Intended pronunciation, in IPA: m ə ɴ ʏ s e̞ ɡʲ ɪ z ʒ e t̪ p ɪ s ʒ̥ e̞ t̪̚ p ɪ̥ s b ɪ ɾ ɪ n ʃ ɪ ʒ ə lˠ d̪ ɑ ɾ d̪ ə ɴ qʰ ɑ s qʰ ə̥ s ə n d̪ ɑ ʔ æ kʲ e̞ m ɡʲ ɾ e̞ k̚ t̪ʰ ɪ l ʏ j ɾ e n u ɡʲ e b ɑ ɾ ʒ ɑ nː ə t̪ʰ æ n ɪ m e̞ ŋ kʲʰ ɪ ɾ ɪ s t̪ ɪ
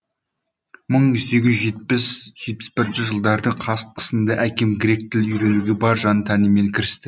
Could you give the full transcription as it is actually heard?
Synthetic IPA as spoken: m ə ɴ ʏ s e̞ ɡʲ ɪ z ʒ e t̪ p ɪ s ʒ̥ e̞ t̪̚ p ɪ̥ s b ɪ ɾ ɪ n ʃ ɪ ʒ ə lˠ d̪ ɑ ɾ d̪ ə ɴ qʰ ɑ s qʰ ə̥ s ə n d̪ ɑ ʔ æ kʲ e̞ m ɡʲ ɾ e̞ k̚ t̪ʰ ɪ l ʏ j ɾ e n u ɡʲ e b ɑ ɾ ʒ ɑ n ə t̪ʰ æ n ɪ m e̞ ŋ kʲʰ ɪ ɾ ɪ s t̪ ɪ

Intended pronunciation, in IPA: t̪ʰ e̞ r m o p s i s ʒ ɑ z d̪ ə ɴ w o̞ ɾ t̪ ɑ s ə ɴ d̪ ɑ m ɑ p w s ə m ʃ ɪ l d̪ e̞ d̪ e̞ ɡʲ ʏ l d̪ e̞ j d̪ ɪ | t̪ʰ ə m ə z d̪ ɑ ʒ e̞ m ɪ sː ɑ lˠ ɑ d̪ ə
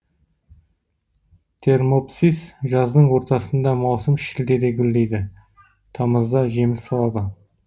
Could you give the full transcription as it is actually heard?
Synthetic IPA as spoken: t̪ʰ e̞ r m o p s i s ʒ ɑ z d̪ ə ɴ w o̞ ɾ t̪ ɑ s ə n d̪ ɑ m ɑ w s ə m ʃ ɪ l d̪ e̞ d̪ e̞ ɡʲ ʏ l d̪ e̞ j d̪ ɪ | t̪ʰ ɑ m ə z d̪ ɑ ʒ e̞ m ɪ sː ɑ lˠ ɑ d̪ ə

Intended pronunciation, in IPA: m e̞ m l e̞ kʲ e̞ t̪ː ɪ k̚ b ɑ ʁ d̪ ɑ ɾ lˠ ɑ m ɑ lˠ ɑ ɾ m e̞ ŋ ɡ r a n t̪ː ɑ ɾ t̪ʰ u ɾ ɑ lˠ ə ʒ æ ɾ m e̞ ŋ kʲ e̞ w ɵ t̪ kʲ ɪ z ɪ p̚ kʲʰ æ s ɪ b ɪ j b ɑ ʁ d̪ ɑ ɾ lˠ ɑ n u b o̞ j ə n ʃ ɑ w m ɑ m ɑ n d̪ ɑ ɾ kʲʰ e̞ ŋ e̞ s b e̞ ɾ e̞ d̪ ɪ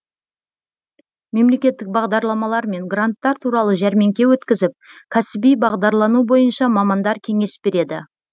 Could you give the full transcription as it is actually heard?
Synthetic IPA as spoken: m e̞ m l e̞ kʲ e̞ t̪ː ɪ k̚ b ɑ ʁ d̪ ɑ ɾ lˠ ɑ m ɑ lˠ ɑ ɾ m e̞ ŋ ɡ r a n t̪ː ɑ ɾ t̪ʰ u ɾ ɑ lˠ ə ʒ æ ɾ m e̞ ŋ kʲ e̞ w ɵ t̪ kʲ ɪ z ɪ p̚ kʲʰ æ s ɪ b i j b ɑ ʁ d̪ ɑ ɾ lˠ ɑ n u b o̞ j ə n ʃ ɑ m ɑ m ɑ n d̪ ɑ ɾ kʲʰ e̞ ŋ e̞ s b e̞ ɾ e̞ d̪ ɪ

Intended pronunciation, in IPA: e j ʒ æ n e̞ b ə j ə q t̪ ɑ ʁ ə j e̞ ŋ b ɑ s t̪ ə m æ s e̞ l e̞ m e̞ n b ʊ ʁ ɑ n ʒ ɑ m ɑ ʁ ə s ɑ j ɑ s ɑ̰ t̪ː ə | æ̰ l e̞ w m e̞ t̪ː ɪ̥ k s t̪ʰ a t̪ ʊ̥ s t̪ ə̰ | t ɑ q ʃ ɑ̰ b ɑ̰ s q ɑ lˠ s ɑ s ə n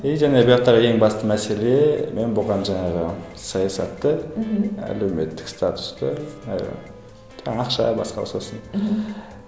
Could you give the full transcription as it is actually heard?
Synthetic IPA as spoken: e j ʒ æ n e̞ b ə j ɑ q t̪ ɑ ʁ ə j e̞ ŋ b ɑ s t̪ ə m æ s e̞ l e̞ m e̞ n b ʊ ʁ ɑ n ʒ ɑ ɴ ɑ ʁ ə s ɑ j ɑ s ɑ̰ t̪ː ə | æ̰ l e̞ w m e̞ t̪ː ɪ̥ k s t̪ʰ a t̪ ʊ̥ s t̪ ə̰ | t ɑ q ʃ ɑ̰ b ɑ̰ s q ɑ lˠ s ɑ s ə n

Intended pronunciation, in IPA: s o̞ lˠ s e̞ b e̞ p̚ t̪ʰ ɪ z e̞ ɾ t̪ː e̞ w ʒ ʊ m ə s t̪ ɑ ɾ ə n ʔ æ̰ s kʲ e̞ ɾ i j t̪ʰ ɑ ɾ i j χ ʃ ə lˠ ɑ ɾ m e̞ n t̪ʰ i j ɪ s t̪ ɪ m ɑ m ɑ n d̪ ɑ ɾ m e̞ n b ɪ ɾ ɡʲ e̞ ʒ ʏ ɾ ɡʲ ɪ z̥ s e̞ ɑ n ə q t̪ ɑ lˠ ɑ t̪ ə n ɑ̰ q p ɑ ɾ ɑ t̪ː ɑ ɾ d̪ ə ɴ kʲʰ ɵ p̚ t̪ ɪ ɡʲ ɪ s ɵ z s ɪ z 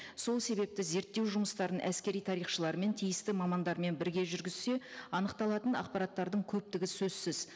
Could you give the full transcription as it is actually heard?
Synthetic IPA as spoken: s o̞ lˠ s e̞ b e̞ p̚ t̪ ɪ z e̞ ɾ t̪ː e̞ w ʒ ʊ m ə s t̪ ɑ ɾ ə n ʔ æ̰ s kʲ e̞ ɾ i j t̪ʰ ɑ ɾ i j χ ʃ ə lˠ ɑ ɾ m e̞ n t̪ʰ i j ɪ s t̪ ɪ m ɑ m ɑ n d̪ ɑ ɾ m e̞ n b ɪ ɾ ɡʲ e̞ ʒ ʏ ɾ ɡʲ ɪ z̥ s e̞ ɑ n ə q t̪ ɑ lˠ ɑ t̪ ə n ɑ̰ q p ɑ ɾ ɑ t̪ː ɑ ɾ d̪ ə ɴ kʲʰ ɵ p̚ t̪ ɪ ɡʲ ɪ s ɵ z s ɪ z

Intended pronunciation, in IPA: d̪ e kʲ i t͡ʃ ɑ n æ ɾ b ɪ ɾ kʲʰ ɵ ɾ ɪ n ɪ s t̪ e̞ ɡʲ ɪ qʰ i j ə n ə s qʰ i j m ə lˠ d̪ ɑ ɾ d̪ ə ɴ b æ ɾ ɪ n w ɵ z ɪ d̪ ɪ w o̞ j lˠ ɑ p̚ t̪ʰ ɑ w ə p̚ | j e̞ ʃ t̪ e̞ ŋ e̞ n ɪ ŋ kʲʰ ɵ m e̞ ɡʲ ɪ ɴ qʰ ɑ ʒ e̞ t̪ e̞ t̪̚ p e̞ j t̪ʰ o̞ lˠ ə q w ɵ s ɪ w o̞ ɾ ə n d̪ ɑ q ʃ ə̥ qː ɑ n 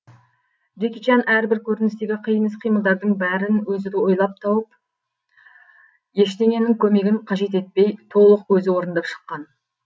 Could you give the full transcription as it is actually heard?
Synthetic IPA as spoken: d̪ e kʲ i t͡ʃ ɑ n æ ɾ b ɪ ɾ kʲʰ ɵ ɾ ɪ n ɪ s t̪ e̞ ɡʲ ɪ qʰ i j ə n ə s qʰ i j m ə lˠ d̪ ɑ ɾ d̪ ə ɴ b æ ɾ ɪ n w ɵ z ɪ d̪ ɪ w o̞ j lˠ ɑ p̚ t̪ʰ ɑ w ə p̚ | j e̞ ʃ t̪ e̞ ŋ e̞ n ɪ ŋ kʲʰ ɵ m e̞ ɡʲ ɪ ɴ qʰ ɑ ʒ e̞ t̪ e̞ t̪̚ p e̞ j t̪ʰ o̞ lˠ ə q w ɵ z ɪ w o̞ ɾ ə n d̪ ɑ p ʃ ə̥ qː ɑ n

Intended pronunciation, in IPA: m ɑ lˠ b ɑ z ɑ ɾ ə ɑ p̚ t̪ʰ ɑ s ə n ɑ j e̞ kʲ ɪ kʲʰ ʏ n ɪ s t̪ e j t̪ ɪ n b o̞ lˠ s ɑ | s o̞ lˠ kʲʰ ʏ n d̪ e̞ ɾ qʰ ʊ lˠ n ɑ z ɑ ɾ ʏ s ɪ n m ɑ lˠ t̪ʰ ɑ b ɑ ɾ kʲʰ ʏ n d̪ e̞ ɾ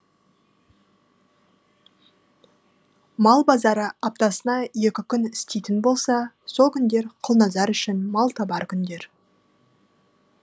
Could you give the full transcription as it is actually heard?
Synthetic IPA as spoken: m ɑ lˠ b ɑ z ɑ ɾ ə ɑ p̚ t̪ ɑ s ə n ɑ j e̞ kʲ ɪ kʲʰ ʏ n ɪ s t̪ e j t̪ ɪ n b o̞ lˠ s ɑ | s o̞ lˠ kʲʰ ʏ n d̪ e̞ ɾ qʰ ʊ lˠ n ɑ z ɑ ɾ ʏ ʃ ɪ n m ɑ lˠ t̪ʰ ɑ b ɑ ɾ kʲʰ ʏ n d̪ e̞ ɾ

